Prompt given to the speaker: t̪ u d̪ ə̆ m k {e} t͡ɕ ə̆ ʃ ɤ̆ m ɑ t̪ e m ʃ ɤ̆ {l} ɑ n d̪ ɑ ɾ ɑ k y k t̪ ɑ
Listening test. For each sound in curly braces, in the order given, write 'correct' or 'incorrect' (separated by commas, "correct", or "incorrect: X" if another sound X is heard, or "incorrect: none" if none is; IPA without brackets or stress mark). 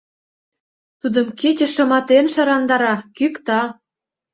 correct, incorrect: ɾ